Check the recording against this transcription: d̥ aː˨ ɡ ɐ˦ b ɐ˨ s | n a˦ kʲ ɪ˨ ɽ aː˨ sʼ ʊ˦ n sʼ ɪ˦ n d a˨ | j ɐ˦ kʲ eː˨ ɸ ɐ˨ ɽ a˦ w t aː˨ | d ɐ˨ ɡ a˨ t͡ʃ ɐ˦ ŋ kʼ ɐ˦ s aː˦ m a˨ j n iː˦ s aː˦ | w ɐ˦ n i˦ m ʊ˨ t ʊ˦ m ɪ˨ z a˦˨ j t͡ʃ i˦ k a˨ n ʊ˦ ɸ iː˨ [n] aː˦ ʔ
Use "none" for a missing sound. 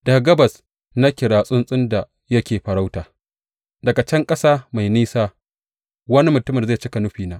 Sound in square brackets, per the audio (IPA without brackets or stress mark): n